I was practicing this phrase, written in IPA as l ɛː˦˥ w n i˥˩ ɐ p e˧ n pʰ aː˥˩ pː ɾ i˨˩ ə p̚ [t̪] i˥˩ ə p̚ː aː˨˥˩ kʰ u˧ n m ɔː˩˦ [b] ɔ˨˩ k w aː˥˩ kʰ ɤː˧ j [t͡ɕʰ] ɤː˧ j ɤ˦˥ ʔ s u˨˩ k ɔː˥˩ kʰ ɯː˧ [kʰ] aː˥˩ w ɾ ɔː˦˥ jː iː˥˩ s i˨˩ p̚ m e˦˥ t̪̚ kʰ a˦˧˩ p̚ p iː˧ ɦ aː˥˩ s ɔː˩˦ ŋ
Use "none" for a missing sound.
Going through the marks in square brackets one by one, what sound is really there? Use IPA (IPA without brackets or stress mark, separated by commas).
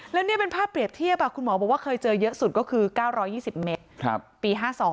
t̪ʰ, b, t͡ɕ, k